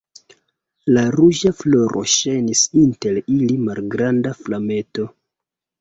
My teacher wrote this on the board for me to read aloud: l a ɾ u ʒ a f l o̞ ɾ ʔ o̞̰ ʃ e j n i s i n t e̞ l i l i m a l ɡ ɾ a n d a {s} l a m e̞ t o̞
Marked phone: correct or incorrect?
incorrect